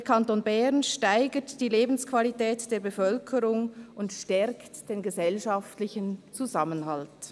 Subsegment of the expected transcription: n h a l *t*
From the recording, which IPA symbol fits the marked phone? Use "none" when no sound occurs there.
t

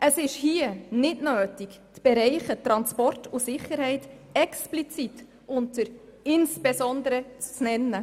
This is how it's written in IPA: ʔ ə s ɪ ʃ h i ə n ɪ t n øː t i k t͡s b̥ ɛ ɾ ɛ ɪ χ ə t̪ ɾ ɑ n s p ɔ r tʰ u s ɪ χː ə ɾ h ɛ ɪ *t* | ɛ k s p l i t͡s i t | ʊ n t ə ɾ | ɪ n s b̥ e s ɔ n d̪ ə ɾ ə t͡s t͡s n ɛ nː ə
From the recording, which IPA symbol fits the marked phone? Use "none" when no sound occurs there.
t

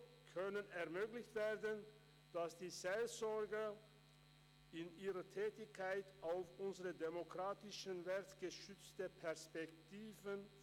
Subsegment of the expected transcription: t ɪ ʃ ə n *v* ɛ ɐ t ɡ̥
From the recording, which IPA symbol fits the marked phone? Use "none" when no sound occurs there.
v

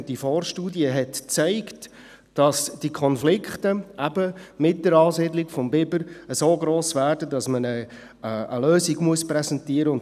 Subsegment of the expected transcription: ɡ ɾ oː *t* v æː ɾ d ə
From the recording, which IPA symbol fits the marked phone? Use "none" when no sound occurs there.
s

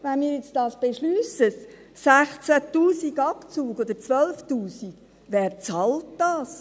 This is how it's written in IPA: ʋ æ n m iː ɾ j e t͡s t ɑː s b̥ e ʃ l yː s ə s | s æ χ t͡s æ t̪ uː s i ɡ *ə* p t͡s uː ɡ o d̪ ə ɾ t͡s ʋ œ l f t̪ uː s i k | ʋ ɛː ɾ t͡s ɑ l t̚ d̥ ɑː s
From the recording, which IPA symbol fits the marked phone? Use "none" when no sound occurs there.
ɑ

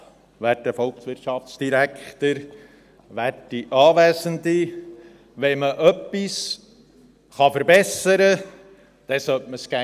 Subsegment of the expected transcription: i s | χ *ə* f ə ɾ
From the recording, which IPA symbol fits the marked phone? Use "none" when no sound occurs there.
ɑ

